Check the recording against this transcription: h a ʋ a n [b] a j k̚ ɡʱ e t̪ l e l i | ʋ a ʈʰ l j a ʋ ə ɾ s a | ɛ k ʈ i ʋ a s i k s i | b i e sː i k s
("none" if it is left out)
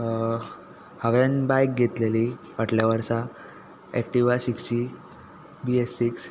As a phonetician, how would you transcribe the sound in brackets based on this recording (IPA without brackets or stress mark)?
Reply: b